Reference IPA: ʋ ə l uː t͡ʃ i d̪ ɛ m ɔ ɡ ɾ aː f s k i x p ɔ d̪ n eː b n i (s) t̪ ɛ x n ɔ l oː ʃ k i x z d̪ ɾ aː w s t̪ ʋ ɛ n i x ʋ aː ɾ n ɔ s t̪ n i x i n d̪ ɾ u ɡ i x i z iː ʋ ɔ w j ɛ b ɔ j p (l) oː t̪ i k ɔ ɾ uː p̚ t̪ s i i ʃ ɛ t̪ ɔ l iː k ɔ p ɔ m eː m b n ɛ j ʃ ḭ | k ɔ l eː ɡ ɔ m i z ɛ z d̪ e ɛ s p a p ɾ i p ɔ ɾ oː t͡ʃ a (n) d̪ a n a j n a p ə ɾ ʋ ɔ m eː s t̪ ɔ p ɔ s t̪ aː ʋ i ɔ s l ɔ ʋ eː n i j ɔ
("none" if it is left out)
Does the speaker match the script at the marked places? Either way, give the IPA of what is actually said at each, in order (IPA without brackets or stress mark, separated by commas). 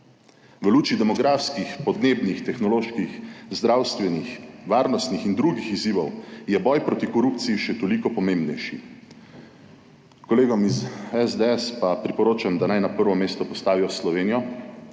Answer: x, ɾ, m